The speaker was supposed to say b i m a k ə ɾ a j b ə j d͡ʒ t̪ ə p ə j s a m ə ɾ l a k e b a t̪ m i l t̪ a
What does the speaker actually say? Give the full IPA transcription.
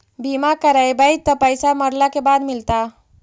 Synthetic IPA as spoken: b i m a k ə ɾ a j b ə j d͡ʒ t̪ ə p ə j s a m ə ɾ l a k e b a d̪ m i l t̪ a